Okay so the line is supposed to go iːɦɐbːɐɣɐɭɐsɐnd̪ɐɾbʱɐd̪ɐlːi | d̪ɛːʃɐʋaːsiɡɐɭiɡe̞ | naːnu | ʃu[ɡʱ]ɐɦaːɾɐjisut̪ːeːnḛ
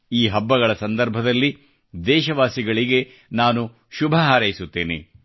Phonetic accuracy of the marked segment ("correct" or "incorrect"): incorrect